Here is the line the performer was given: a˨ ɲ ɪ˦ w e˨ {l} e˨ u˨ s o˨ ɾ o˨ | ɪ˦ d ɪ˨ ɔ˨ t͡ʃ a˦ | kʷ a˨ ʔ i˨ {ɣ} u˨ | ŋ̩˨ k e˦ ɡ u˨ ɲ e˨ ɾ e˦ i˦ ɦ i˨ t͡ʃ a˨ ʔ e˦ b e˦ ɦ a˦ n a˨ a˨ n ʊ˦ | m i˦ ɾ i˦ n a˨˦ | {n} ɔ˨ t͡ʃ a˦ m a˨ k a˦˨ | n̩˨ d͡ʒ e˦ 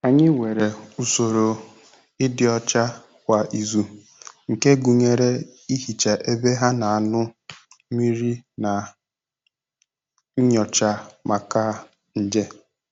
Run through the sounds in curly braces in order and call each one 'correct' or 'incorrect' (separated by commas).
incorrect, incorrect, incorrect